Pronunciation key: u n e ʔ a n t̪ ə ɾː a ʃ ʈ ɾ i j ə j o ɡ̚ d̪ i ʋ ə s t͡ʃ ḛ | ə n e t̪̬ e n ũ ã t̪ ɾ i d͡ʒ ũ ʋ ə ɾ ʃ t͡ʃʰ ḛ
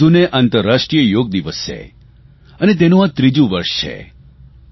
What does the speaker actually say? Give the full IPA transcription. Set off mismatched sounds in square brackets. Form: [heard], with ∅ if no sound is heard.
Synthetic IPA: u n e ʔ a n t̪ ə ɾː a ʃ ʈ ɾ i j ə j o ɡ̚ d̪ i ʋ ə s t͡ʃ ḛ | ə n e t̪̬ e n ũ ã t̪ ɾ i d͡ʒ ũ ʋ ə ɾ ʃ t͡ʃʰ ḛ